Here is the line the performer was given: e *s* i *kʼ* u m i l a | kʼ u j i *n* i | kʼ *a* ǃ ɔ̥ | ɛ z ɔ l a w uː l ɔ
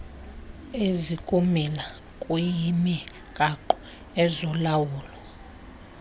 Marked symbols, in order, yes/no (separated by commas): no, yes, no, yes